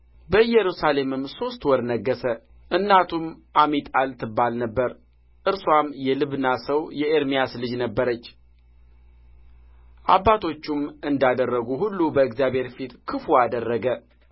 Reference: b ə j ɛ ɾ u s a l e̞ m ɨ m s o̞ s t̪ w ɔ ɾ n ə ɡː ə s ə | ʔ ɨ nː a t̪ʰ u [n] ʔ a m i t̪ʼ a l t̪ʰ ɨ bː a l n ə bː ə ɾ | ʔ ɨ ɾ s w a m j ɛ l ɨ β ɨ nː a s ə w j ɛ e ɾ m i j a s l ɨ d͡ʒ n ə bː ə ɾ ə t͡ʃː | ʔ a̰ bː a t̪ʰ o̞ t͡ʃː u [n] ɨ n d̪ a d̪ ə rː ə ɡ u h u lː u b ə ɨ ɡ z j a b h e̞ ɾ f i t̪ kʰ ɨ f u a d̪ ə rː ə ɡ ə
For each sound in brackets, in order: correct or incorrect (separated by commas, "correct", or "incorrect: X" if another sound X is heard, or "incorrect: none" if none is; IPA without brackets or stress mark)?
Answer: incorrect: m, incorrect: m